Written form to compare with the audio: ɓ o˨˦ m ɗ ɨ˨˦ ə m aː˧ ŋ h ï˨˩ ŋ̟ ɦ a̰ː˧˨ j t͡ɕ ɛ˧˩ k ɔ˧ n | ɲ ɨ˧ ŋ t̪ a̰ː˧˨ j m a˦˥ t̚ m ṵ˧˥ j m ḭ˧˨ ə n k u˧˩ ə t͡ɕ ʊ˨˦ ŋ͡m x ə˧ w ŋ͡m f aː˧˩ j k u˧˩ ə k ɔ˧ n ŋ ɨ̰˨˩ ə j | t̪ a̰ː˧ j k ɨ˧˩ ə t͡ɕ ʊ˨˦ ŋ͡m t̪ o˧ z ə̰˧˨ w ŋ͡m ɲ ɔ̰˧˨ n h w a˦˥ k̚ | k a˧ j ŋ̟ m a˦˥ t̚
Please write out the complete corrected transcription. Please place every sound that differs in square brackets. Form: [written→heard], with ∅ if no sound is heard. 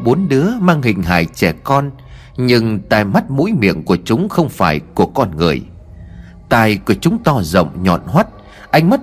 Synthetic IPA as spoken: ɓ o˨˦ [m→n] ɗ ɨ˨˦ ə m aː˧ ŋ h ï˨˩ ŋ̟ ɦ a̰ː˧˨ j t͡ɕ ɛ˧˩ k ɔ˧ n | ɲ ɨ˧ ŋ t̪ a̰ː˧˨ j m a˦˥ t̚ m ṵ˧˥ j m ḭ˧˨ ə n k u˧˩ ə t͡ɕ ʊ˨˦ ŋ͡m x ə˧ w ŋ͡m f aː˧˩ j k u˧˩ ə k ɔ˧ n ŋ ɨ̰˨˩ ə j | t̪ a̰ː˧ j k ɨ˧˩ ə t͡ɕ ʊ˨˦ ŋ͡m t̪ [o˧→ɔ˧] z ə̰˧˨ w ŋ͡m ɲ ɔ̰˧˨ n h w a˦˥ [k̚→t̚] | [k→ʔ] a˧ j ŋ̟ m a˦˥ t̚